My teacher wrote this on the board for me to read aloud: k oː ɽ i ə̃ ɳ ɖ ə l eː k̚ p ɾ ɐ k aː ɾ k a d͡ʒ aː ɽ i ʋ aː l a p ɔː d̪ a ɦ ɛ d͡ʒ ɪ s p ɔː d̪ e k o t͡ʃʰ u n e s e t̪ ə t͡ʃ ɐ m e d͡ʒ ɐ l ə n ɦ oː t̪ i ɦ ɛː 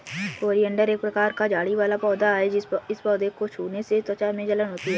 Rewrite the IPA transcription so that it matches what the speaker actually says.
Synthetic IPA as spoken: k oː ɾ i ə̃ ɳ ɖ ə ɾ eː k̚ p ɾ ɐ k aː ɾ k a d͡ʒ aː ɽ i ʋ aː l a p ɔː d̪ a ɦ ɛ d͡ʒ ɪ s p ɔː d̪ e k o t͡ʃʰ uː n e s e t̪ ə t͡ʃ a m ẽ d͡ʒ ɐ l ə n ɦ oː t̪ i ɦ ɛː